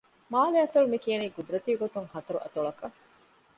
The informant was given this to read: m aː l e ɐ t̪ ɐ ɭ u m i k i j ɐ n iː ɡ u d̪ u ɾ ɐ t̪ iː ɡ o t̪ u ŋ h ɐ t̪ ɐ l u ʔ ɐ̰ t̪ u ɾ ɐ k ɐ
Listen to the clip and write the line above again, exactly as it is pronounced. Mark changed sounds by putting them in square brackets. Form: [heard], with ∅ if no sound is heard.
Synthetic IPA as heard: m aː l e ɐ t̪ ɐ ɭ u m i k i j ɐ n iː ɡ u d̪ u ɾ ɐ t̪ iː ɡ o t̪ u ŋ h ɐ t̪ ɐ [ɾ] u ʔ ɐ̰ t̪ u [ɭ] ɐ k ɐ